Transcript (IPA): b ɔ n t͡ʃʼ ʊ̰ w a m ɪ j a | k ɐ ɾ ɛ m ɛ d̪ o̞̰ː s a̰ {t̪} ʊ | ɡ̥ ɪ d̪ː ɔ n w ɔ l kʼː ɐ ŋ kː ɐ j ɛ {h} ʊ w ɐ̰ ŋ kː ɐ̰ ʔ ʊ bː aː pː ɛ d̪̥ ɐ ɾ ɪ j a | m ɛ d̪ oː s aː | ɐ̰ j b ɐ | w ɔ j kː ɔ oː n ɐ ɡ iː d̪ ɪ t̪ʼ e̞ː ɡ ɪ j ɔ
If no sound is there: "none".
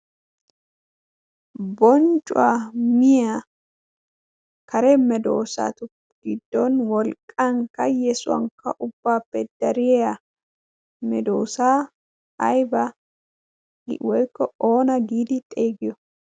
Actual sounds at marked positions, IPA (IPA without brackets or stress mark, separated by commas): t̪, s